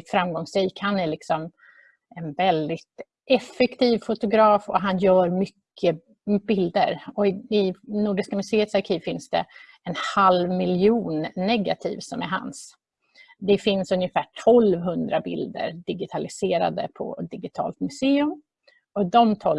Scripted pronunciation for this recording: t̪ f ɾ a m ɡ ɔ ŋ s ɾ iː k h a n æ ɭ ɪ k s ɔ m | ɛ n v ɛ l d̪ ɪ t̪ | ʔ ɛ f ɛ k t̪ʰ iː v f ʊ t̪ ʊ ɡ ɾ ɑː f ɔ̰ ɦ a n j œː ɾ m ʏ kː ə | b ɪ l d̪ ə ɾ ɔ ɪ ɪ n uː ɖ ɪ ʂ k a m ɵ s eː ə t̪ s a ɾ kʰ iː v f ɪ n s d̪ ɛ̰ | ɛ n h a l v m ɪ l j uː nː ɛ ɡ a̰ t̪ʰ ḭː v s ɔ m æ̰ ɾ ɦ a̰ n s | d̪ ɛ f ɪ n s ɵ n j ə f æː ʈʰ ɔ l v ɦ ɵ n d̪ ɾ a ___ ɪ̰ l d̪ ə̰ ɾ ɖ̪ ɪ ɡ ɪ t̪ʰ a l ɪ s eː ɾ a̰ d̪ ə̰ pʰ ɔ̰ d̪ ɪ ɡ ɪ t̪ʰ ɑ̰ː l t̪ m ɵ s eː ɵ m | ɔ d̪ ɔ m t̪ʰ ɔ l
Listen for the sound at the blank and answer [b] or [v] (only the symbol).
b